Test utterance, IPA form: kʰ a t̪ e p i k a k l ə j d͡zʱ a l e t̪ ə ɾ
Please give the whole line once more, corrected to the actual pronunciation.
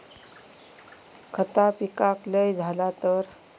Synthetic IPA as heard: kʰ ə t̪ a p i k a k l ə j d͡zʱ a l a t̪ ə ɾ